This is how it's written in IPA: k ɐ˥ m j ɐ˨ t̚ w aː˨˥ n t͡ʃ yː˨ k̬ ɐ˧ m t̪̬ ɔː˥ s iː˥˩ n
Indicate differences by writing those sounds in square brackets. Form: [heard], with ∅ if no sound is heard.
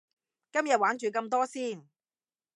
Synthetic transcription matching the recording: k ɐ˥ m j ɐ˨ t̚ w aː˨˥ n t͡ʃ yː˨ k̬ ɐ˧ m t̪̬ ɔː˥ s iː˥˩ n